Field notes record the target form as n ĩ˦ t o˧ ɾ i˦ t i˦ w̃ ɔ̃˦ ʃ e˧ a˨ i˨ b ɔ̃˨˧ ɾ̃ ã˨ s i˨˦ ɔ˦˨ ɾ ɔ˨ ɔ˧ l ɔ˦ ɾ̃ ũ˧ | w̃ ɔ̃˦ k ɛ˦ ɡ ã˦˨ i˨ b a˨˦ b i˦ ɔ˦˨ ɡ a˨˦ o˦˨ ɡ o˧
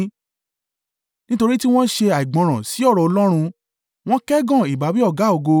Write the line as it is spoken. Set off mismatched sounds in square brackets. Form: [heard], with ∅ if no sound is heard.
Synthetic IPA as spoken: n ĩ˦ t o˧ ɾ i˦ t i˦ w̃ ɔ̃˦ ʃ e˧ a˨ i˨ [ɡ͡b] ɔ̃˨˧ ɾ̃ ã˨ s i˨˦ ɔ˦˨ ɾ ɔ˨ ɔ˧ l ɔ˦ ɾ̃ ũ˧ | w̃ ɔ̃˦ k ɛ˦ ɡ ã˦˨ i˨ b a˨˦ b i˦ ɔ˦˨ ɡ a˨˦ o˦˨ ɡ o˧

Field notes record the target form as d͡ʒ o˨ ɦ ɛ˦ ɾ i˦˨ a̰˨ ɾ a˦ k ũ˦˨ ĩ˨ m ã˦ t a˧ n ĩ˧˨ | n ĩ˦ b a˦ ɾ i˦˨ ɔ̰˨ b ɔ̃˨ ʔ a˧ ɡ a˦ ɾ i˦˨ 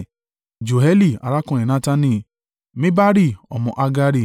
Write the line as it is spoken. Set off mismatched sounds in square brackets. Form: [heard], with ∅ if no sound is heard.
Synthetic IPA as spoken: d͡ʒ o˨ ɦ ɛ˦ [l] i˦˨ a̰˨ ɾ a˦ k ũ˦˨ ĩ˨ [n] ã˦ t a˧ n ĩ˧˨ | [m] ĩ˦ b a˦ ɾ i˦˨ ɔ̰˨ [m] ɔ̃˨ ʔ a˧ ɡ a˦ ɾ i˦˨

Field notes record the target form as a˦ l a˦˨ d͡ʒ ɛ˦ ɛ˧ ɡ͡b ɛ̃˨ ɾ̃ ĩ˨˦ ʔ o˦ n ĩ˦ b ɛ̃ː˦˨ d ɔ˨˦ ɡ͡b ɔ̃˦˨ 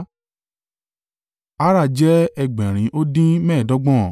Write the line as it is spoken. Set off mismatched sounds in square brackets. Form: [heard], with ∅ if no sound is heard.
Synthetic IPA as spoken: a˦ [ɾ] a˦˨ d͡ʒ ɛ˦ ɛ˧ ɡ͡b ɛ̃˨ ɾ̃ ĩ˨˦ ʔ o˦ [d] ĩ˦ [m] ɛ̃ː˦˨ d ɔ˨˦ ɡ͡b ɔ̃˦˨

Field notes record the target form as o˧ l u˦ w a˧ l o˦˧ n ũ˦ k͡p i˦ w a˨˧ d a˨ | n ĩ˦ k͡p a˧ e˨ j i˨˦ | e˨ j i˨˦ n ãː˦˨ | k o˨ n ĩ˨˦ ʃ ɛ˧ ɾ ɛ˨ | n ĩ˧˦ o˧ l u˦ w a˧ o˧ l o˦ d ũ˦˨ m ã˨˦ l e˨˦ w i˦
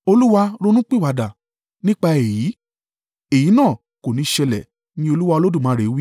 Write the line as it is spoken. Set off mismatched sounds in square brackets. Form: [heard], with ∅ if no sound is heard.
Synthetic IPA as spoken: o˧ l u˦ w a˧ [ɾ] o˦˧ n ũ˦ k͡p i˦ w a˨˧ d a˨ | n ĩ˦ k͡p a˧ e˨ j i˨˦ | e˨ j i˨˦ n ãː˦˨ | k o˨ n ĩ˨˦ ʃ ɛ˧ [l] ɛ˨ | n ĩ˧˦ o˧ l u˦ w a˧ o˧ l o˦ d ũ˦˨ m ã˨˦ [ɾ] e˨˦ w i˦

